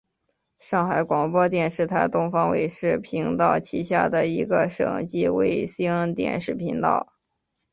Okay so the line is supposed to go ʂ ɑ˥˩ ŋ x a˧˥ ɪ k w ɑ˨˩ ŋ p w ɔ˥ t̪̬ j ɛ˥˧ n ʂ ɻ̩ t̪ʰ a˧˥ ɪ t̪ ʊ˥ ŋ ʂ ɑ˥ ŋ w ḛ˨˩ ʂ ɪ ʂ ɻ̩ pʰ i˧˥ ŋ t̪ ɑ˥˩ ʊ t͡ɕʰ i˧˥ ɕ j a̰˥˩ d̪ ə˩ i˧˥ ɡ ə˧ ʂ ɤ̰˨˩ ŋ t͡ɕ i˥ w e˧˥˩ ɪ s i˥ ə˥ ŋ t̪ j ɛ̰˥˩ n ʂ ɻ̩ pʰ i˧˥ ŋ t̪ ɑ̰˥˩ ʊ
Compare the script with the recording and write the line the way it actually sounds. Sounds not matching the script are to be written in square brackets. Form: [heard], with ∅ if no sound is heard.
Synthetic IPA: ʂ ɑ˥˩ ŋ x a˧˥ ɪ k w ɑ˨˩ ŋ p w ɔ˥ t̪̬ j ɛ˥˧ n ʂ ɻ̩ t̪ʰ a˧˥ ɪ t̪ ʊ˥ ŋ [f] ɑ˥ ŋ w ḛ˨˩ [∅] ɪ ʂ ɻ̩ pʰ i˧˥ ŋ t̪ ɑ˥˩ ʊ t͡ɕʰ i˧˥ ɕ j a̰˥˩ d̪ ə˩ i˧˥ ɡ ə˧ ʂ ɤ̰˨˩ ŋ t͡ɕ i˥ w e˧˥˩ ɪ s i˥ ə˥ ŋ t̪ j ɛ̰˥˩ n ʂ ɻ̩ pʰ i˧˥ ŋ t̪ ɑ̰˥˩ ʊ